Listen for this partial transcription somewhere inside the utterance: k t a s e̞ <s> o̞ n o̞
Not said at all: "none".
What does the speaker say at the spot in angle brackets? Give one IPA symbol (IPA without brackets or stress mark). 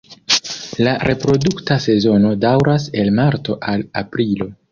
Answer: z